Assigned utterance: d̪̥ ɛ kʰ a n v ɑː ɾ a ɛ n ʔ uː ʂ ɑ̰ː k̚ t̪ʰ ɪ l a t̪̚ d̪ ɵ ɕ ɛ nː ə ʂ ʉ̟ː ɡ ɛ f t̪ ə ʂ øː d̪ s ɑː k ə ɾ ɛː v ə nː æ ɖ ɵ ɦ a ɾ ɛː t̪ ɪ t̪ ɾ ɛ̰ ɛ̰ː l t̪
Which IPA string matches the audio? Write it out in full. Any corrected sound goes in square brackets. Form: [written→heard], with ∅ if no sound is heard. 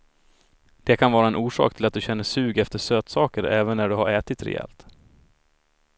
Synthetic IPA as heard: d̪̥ ɛ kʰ a n v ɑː ɾ a ɛ n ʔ uː ʂ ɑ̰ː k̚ t̪ʰ ɪ l a t̪̚ d̪ ɵ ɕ ɛ nː ə ʂ ʉ̟ː ɡ ɛ f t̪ ə ʂ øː [d̪→t̪] s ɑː k ə ɾ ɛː v ə nː æ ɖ ɵ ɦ a ɾ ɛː t̪ ɪ t̪ ɾ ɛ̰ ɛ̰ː l t̪